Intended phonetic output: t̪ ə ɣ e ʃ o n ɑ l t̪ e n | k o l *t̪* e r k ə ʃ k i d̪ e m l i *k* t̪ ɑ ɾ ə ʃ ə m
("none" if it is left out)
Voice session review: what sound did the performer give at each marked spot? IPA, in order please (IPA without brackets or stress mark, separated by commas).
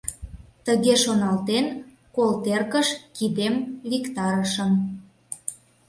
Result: t̪, k